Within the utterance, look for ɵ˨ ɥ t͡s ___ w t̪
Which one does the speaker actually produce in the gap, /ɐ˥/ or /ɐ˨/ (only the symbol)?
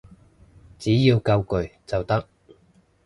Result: ɐ˨